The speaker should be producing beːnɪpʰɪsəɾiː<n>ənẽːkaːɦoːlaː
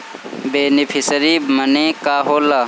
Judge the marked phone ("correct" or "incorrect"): incorrect